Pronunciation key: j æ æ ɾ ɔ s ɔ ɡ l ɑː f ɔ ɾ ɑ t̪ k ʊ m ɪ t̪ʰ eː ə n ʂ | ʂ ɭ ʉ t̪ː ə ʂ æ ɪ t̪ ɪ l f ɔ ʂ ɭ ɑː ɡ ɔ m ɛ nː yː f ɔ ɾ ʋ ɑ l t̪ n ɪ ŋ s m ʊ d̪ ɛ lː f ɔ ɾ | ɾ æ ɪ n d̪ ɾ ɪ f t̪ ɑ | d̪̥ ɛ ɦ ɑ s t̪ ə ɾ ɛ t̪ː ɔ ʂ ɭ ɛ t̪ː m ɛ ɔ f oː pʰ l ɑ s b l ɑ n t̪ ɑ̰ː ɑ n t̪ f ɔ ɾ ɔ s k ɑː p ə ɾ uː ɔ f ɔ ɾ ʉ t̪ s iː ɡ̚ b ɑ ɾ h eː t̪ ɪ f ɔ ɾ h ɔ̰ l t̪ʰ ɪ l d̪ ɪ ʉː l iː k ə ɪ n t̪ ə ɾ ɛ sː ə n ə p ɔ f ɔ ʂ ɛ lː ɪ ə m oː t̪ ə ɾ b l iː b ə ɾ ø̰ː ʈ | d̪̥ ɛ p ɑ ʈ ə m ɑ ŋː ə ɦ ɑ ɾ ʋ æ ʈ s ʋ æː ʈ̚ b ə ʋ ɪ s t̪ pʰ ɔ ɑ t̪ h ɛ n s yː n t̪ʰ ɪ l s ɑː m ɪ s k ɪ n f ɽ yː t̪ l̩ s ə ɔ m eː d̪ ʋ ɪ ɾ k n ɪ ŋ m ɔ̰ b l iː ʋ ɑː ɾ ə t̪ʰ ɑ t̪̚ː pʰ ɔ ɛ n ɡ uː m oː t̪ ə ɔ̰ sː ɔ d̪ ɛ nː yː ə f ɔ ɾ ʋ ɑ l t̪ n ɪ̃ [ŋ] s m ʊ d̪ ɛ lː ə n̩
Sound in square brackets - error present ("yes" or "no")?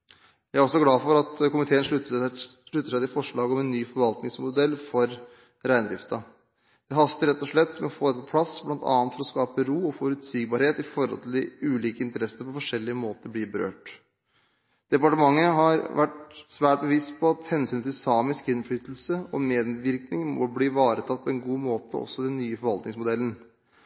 no